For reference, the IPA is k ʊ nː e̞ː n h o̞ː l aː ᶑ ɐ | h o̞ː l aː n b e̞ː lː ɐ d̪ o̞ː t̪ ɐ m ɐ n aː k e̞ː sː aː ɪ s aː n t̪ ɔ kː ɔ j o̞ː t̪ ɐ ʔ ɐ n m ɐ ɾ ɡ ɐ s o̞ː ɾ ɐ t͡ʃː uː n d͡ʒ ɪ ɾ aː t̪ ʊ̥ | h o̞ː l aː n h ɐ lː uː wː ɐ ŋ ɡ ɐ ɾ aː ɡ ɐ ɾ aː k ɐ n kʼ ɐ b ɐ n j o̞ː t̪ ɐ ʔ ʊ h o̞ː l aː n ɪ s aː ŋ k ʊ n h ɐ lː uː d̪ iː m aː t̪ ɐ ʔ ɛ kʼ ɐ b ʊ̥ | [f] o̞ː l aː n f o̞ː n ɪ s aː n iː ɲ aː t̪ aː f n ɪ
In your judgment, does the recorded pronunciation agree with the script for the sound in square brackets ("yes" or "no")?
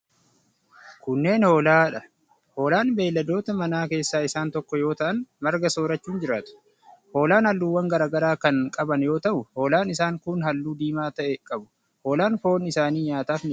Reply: no